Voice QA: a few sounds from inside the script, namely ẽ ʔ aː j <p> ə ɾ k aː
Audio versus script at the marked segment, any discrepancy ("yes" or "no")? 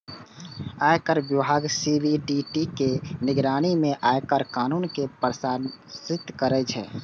yes